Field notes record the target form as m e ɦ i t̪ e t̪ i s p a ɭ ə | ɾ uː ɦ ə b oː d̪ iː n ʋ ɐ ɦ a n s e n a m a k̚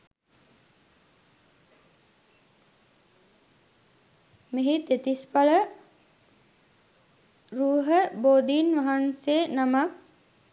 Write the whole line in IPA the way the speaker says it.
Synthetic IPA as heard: m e ɦ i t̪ e t̪ i s p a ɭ ə | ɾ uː ɦ ə b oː d̪ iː n ʋ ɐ ɦ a n s e n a m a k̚